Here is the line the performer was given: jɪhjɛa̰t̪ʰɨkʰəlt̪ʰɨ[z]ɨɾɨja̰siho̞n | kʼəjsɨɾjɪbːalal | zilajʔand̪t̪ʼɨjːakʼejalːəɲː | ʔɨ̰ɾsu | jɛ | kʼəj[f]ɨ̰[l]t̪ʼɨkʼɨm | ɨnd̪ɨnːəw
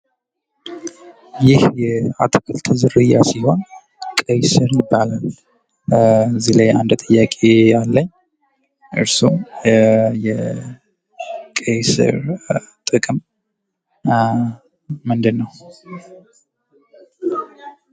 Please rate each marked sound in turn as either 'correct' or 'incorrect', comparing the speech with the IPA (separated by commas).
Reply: correct, incorrect, incorrect